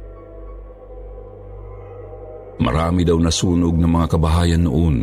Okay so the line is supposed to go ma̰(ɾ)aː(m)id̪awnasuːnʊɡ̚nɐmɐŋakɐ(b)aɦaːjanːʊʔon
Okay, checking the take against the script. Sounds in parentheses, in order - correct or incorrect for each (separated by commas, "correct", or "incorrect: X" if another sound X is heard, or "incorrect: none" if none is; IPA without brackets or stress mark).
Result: correct, correct, correct